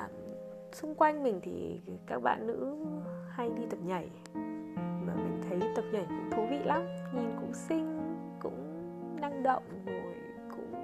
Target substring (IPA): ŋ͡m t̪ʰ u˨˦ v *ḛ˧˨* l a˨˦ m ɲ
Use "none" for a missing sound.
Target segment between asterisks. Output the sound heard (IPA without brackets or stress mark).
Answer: ḭ˧˨